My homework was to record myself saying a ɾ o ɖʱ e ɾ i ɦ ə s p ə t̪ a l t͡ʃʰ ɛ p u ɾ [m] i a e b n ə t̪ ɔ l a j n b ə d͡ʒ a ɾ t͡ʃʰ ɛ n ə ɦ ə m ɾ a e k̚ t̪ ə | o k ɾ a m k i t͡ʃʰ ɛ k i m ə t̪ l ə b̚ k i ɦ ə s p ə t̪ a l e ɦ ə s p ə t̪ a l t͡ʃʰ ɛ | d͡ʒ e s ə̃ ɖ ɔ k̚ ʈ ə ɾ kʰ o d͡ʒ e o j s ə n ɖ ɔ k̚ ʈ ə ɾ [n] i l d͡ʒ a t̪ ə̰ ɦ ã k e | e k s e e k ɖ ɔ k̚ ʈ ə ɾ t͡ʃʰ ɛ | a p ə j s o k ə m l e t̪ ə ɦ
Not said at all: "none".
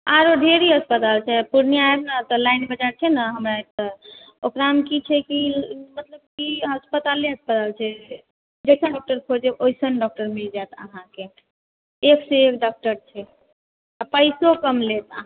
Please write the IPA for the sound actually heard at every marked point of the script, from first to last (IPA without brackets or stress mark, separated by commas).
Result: n, m